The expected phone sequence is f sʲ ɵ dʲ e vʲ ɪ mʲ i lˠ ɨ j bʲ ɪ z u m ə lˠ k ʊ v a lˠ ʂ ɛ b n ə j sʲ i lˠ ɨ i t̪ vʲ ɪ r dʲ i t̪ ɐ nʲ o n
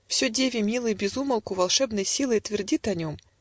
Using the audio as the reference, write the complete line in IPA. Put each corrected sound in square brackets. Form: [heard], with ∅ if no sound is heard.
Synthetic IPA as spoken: f sʲ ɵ dʲ e vʲ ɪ mʲ i lˠ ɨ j bʲ ɪ z u m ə lˠ k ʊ v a lˠ ʂ ɛ b n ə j sʲ i lˠ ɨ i t̪ vʲ ɪ r dʲ i t̪ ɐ nʲ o [m]